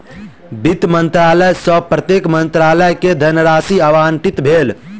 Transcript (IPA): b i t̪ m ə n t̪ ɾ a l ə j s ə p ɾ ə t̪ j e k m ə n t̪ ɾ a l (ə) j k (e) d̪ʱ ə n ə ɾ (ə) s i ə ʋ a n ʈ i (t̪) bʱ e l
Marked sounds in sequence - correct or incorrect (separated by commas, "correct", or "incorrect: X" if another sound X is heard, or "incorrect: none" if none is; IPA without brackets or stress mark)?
correct, correct, incorrect: a, correct